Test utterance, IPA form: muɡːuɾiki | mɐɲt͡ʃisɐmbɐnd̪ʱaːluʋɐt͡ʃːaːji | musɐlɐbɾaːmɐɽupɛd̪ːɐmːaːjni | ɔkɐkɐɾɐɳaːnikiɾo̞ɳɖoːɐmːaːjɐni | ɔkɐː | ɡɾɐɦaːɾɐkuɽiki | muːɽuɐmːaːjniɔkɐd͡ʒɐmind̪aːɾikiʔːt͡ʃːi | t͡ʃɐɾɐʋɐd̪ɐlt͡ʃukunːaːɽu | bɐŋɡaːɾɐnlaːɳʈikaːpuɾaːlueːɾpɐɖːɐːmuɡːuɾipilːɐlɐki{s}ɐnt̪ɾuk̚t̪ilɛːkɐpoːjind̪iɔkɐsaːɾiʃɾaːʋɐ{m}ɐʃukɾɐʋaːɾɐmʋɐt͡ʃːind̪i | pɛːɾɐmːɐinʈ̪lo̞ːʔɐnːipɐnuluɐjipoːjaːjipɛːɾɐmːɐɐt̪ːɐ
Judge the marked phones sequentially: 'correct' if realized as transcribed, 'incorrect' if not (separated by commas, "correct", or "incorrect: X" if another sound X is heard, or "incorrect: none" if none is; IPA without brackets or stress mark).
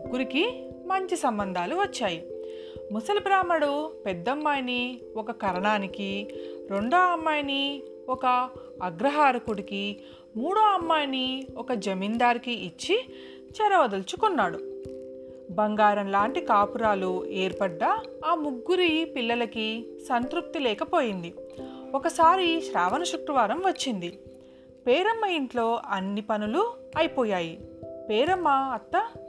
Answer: correct, incorrect: n